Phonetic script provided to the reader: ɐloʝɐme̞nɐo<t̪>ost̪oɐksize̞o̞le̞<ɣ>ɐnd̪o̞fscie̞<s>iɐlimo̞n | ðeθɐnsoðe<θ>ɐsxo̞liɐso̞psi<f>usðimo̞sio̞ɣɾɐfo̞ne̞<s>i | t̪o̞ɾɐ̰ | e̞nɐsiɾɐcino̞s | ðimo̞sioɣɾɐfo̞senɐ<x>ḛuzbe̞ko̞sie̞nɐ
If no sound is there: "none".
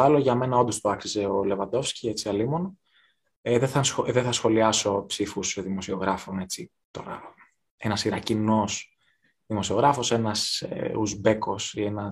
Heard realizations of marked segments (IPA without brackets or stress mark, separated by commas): d̪, v, t͡s, θ, f, t͡s, s